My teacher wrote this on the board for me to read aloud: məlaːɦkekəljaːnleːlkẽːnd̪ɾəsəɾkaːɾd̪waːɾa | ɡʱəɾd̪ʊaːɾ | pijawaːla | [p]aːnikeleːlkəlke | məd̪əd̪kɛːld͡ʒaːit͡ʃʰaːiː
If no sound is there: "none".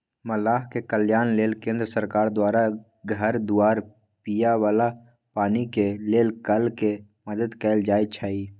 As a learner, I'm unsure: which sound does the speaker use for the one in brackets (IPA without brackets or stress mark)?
p